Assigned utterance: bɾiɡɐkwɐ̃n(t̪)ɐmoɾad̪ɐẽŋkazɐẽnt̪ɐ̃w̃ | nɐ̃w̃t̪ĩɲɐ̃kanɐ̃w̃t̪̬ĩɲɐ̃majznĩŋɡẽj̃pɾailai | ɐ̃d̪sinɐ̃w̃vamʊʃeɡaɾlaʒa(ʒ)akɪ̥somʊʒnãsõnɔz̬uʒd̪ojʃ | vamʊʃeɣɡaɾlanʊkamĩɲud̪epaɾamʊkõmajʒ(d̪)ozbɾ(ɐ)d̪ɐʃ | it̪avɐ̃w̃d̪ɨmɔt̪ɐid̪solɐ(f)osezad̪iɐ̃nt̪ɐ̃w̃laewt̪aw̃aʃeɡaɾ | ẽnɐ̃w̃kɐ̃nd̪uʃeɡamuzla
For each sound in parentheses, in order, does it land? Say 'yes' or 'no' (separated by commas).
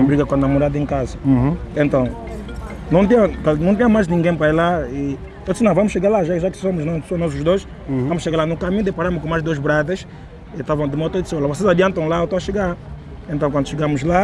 no, yes, yes, no, no